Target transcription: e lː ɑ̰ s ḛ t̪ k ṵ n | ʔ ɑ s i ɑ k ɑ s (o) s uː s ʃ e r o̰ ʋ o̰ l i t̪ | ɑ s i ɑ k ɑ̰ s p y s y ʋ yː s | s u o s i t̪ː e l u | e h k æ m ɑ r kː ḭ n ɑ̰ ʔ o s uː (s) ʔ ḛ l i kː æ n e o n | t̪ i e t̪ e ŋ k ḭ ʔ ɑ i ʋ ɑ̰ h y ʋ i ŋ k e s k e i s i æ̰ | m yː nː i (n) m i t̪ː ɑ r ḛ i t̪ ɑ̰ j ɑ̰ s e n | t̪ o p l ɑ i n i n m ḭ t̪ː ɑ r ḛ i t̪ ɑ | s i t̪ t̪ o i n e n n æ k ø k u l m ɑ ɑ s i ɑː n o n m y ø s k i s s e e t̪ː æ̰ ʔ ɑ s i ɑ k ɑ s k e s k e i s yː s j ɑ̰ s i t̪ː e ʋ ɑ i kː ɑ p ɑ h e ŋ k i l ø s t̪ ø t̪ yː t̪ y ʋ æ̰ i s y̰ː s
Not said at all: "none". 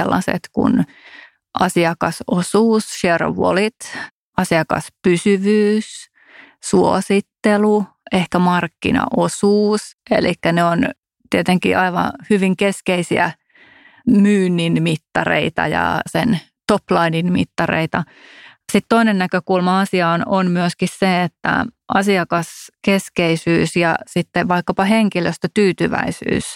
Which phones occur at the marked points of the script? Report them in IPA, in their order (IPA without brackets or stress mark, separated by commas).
o, s, n